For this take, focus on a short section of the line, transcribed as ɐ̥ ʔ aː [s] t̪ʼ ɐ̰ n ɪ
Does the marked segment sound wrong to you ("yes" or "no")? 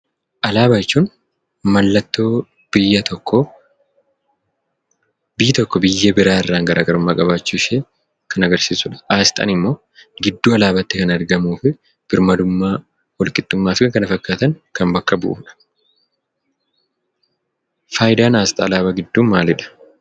no